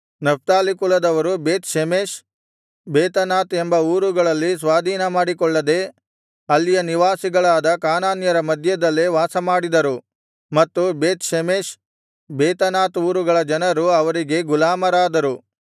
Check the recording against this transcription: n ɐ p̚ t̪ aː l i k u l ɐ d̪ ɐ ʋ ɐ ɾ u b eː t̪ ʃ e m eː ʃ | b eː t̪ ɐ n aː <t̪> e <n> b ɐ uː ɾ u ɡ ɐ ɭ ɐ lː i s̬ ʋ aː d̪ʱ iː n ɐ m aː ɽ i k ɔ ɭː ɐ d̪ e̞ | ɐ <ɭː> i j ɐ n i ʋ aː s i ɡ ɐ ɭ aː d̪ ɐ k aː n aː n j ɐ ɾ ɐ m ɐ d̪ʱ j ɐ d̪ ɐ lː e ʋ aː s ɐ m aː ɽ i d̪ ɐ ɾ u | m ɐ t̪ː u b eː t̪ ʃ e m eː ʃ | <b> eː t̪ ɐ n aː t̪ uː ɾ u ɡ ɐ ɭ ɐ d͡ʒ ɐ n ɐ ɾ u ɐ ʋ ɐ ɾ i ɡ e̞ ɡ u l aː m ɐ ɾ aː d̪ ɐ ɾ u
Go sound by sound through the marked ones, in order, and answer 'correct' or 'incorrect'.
correct, incorrect: m, incorrect: lː, correct

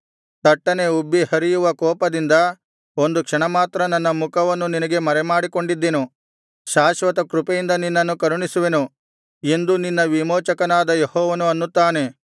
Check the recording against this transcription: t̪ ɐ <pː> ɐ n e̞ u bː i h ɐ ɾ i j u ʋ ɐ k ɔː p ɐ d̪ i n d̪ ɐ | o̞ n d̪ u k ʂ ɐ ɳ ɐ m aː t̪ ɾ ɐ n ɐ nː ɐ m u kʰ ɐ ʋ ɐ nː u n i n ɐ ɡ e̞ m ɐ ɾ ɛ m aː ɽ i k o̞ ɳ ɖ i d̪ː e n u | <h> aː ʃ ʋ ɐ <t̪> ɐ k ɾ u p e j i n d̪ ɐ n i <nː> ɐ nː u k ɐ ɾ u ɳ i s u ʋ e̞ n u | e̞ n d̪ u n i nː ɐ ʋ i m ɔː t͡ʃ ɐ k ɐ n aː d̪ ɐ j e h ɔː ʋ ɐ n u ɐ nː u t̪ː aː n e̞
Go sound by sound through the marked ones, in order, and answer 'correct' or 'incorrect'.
incorrect: ʈː, incorrect: ʃ, correct, correct

